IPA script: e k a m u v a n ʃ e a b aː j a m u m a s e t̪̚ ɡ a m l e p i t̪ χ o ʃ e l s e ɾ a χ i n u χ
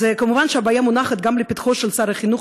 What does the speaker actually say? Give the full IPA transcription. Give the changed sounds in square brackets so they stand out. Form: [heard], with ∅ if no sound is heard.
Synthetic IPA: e k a m u v a n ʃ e a b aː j a m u [n] a [χ] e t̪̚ ɡ a m l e p i t̪ χ o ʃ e l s [a] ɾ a χ i n u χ